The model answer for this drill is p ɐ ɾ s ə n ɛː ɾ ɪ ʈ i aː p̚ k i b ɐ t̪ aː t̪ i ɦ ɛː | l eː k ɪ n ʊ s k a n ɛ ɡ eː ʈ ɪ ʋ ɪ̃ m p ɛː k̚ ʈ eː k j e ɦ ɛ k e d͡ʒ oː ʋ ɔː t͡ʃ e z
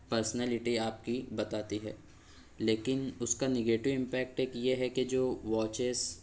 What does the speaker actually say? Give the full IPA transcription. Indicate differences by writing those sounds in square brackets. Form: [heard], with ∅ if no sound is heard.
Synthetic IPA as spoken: p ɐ ɾ s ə n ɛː [l] ɪ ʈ i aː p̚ k i b ɐ t̪ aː t̪ i ɦ ɛː | l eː k ɪ n ʊ s k a n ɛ ɡ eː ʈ ɪ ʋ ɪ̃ m p ɛː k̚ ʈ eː k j e ɦ ɛ k e d͡ʒ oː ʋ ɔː t͡ʃ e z